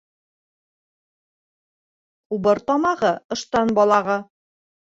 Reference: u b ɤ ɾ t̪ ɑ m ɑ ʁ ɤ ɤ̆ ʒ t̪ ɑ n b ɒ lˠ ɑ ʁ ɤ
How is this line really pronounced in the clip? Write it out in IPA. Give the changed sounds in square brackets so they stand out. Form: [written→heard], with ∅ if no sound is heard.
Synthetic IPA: u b ɤ ɾ t̪ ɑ m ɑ ʁ ɤ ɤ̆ [ʒ→ʃ] t̪ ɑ n b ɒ lˠ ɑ ʁ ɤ

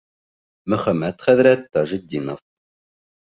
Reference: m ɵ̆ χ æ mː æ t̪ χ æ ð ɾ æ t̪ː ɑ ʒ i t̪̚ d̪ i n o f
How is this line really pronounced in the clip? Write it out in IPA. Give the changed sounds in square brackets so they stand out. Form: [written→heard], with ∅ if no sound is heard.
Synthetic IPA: m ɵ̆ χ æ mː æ t̪ χ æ ð ɾ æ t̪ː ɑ ʒ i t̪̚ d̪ i n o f

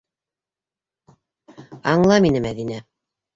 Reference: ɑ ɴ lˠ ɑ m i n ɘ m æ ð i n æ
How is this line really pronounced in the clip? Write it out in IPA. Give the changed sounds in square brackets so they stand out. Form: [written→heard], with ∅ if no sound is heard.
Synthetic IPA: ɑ ɴ lˠ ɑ m i n ɘ m æ ð i n æ

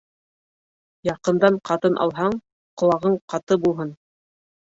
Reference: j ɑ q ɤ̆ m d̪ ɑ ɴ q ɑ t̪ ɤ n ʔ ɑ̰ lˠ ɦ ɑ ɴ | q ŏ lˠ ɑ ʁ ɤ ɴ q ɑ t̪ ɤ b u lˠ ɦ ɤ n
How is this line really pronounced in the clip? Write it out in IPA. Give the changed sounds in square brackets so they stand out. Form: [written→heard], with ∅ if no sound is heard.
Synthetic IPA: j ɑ q ɤ̆ [m→n] d̪ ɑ ɴ q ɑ t̪ ɤ n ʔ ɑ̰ lˠ ɦ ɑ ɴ | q ŏ lˠ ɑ ʁ ɤ ɴ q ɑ t̪ ɤ b u lˠ ɦ ɤ n

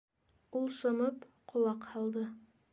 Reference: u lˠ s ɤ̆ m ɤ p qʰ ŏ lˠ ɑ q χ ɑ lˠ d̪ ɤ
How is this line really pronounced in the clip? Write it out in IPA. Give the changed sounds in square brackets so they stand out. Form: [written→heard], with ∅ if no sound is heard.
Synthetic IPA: u lˠ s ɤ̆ m ɤ p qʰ ŏ lˠ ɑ q [χ→h] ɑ lˠ d̪ ɤ

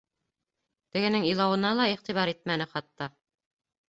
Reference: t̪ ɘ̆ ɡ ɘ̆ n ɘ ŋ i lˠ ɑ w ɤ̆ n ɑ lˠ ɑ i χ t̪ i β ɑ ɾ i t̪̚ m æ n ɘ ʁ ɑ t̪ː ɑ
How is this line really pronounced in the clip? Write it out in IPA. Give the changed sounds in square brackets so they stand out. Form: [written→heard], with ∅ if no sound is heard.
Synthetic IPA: t̪ ɘ̆ ɡ ɘ̆ n ɘ ŋ i lˠ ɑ w ɤ̆ n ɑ lˠ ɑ i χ t̪ i β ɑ ɾ i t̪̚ m æ n ɘ [ʁ→χ] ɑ t̪ː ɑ

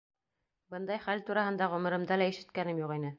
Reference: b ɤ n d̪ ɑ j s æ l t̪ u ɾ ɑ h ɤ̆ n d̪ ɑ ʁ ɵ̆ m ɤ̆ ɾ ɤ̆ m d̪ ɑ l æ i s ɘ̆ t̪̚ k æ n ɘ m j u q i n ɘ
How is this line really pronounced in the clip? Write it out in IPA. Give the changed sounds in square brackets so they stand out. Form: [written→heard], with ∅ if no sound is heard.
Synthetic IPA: b ɤ n d̪ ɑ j [s→χ] æ l t̪ u ɾ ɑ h ɤ̆ n d̪ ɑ ʁ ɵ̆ m ɤ̆ ɾ ɤ̆ m d̪ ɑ l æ i [s→ʃ] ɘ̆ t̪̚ k æ n ɘ m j u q i n ɘ

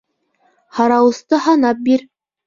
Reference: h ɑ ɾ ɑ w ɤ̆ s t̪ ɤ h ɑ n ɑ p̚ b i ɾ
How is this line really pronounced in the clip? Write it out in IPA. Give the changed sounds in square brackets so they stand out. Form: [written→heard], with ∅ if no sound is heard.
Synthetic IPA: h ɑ ɾ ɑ w ɤ̆ s t̪ ɤ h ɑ n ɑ p̚ b i ɾ

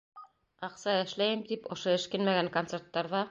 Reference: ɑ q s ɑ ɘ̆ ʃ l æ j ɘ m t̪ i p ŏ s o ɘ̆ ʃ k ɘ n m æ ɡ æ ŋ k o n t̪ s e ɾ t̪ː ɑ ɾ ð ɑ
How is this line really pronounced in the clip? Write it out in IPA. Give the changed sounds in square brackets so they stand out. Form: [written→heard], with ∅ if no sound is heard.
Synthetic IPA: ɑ q s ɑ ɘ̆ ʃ l æ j ɘ m t̪ i p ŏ [s→ʃ] o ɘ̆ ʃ k ɘ n m æ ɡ æ ŋ k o n t̪ s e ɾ t̪ː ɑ ɾ ð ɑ

